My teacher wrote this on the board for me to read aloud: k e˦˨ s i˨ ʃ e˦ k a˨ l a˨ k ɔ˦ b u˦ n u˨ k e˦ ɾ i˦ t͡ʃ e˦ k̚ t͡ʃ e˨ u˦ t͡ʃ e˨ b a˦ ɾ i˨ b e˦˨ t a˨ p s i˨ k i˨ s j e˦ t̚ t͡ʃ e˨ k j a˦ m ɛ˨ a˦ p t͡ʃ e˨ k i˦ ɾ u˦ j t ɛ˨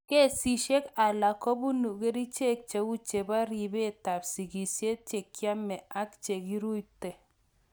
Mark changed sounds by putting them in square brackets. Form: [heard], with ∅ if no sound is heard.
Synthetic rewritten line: k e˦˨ s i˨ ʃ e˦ k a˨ l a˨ k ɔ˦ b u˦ n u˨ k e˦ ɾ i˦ t͡ʃ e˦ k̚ t͡ʃ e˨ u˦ t͡ʃ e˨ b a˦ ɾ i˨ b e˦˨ t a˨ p s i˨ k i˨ s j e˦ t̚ t͡ʃ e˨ k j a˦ m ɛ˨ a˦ [k] t͡ʃ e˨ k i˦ ɾ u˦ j t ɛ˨